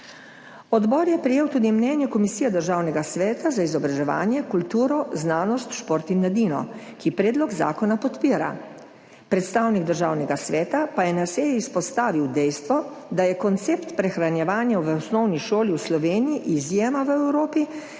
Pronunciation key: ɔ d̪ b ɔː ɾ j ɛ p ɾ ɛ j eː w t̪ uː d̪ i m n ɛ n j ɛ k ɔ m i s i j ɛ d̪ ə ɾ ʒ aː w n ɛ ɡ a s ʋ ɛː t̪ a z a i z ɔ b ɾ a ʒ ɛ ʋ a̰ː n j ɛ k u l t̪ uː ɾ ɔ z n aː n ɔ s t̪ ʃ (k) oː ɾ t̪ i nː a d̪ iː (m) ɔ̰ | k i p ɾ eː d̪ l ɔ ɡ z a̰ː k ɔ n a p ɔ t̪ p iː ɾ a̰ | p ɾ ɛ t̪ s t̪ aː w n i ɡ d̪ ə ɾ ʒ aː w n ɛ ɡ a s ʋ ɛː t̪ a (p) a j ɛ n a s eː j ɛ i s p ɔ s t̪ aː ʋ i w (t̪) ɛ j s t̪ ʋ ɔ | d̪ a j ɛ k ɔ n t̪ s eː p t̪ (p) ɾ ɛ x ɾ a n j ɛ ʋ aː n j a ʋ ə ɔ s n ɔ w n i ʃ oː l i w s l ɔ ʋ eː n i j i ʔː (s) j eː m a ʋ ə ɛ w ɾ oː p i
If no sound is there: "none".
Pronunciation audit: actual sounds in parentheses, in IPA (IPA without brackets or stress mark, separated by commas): p, n, p, d̪, p, z